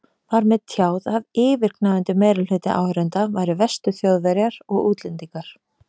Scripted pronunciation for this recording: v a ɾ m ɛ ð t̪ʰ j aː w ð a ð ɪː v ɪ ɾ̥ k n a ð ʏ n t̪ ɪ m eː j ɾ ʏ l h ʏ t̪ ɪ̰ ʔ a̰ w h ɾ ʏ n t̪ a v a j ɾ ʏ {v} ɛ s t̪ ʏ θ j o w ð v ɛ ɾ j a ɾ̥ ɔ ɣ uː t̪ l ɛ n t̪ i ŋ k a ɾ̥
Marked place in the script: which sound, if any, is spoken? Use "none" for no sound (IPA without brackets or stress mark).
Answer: v